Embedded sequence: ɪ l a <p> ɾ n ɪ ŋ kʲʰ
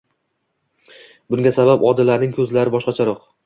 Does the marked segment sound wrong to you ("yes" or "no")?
yes